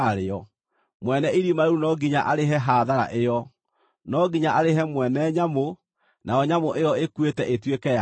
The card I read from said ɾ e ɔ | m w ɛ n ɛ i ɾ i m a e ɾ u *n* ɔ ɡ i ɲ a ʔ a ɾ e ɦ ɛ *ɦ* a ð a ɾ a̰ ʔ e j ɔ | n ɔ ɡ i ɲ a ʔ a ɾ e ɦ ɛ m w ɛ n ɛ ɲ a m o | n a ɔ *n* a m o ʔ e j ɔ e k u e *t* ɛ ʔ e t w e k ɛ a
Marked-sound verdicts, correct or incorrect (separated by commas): correct, correct, incorrect, correct